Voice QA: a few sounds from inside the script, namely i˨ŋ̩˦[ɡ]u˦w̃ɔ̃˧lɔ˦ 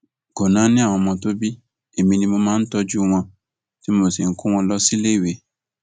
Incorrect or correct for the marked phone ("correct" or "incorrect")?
incorrect